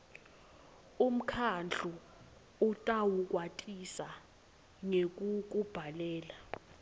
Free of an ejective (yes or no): no